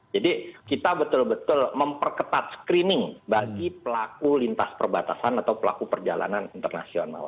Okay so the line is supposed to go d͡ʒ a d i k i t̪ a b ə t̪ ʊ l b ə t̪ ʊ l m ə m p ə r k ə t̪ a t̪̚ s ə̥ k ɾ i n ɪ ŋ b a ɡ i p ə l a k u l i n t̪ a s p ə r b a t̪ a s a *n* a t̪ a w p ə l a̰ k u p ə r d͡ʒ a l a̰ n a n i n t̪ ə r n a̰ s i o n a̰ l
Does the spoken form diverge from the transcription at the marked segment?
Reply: no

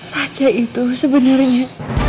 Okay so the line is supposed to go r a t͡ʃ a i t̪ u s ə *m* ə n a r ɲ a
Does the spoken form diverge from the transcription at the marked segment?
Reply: yes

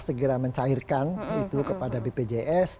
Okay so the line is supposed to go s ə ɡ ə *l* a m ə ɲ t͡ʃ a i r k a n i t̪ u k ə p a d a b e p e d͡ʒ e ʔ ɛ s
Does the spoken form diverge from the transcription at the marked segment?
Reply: yes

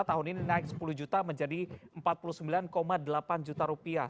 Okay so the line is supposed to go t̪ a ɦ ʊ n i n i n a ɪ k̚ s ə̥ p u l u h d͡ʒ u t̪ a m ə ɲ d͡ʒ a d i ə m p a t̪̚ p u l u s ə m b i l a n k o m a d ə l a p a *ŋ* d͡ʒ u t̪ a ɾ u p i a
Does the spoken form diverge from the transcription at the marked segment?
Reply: yes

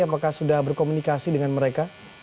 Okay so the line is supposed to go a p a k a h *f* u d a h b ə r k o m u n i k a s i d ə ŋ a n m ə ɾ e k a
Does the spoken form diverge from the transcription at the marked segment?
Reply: yes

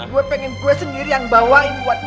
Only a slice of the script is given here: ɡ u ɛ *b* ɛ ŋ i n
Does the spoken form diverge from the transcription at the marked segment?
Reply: yes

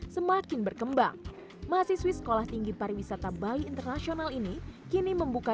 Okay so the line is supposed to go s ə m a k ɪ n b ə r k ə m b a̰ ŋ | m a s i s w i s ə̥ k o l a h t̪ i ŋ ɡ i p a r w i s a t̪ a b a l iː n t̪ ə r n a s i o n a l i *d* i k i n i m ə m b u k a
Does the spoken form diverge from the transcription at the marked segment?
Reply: yes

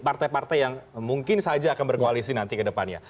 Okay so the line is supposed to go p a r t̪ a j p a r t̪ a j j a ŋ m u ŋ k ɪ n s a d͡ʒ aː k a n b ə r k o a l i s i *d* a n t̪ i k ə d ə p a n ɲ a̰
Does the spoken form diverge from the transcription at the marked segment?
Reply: yes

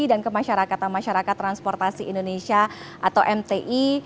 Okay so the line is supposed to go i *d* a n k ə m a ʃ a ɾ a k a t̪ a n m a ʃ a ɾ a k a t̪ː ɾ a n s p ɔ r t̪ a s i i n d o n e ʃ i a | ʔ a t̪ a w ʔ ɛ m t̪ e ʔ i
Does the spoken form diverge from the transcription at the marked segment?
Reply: no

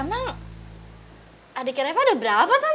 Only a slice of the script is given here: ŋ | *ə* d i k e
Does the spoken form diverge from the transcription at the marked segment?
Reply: yes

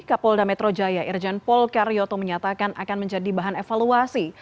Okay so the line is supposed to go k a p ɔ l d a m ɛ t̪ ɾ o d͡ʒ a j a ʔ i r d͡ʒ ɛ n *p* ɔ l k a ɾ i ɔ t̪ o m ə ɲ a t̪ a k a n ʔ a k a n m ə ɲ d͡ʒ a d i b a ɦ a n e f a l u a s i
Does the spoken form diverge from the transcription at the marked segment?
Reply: no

